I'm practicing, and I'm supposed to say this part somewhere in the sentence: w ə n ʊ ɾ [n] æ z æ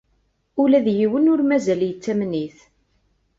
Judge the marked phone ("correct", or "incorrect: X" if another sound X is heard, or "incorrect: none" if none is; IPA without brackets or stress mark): incorrect: m